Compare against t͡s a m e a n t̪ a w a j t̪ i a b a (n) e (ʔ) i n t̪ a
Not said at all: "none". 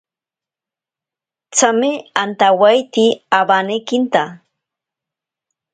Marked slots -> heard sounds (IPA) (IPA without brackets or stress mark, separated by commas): n, k